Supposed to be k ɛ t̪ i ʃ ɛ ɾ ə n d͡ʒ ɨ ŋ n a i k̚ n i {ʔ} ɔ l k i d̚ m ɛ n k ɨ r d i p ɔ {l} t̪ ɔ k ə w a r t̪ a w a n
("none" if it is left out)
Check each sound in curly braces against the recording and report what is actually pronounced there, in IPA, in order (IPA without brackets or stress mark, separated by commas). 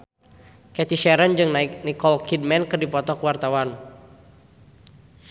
k, none